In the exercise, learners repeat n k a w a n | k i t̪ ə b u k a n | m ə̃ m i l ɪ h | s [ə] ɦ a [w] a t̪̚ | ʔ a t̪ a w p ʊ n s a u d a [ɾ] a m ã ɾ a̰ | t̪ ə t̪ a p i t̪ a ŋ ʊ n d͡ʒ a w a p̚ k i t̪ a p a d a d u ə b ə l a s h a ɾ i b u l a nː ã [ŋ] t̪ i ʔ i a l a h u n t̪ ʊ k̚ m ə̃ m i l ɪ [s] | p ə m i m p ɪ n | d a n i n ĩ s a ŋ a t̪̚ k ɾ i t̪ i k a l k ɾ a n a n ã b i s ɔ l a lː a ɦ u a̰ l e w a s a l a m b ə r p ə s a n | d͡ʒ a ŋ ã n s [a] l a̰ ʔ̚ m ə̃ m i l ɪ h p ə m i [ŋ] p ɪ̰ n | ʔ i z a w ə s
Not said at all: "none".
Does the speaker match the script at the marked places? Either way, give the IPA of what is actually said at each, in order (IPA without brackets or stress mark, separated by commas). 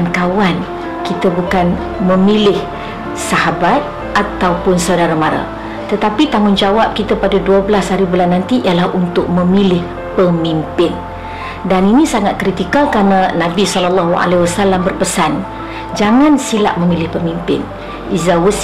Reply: a, b, ɾ, n, h, i, m